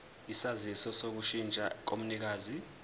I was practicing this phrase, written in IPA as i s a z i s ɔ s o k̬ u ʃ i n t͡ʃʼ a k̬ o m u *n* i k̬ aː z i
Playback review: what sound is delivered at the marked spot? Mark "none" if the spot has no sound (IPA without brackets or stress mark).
n